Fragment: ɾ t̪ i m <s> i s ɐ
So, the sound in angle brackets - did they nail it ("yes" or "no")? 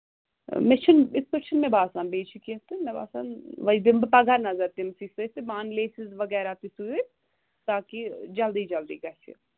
yes